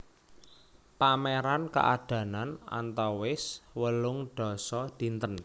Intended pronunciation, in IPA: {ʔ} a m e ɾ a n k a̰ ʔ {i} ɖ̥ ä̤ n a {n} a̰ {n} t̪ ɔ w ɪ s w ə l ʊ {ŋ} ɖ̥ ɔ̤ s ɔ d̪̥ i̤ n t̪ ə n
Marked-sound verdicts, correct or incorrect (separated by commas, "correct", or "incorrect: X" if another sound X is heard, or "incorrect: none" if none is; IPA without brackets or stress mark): incorrect: p, incorrect: a, correct, correct, correct